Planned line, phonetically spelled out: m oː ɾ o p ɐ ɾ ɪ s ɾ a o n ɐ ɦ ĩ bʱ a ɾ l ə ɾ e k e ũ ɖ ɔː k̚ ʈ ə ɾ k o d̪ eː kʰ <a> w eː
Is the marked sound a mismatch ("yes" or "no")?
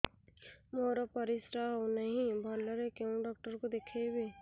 yes